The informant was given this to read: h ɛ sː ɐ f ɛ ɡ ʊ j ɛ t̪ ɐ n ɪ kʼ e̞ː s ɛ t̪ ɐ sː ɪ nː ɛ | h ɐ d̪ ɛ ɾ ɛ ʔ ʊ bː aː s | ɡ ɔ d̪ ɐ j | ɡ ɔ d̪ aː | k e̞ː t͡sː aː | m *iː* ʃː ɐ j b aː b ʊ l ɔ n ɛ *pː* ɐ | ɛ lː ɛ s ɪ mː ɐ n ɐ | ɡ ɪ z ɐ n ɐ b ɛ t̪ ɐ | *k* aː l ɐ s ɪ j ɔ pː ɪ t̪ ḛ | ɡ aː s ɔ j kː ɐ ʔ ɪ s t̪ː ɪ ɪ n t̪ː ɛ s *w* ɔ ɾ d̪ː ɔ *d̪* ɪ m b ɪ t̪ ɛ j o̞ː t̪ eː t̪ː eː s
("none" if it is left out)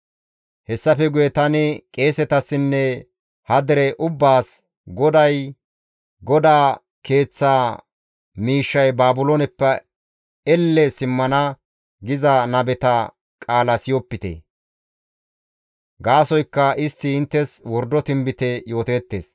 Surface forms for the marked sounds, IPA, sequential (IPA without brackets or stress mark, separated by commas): iː, pː, kʼ, w, t̪